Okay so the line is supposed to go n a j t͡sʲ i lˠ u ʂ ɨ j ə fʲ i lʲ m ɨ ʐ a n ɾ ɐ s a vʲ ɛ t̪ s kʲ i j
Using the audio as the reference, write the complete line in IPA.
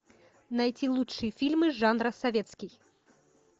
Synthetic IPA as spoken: n a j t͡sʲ i lˠ u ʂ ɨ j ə fʲ i lʲ m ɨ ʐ a n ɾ ɐ s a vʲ ɛ t̪ s kʲ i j